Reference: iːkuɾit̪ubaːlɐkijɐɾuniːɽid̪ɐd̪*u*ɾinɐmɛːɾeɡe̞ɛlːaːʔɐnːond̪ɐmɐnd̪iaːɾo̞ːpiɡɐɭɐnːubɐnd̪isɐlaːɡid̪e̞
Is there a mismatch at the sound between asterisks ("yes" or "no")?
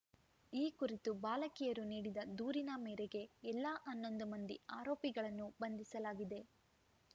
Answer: yes